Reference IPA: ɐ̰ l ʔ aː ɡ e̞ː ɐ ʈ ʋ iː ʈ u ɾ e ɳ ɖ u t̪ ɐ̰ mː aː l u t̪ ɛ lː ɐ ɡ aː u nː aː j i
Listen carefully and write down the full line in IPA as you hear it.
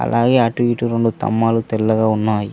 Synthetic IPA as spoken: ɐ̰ l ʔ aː ɡ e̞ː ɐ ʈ ʋ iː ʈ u ɾ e ɳ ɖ u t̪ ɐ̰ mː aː l u t̪ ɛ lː ɐ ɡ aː u nː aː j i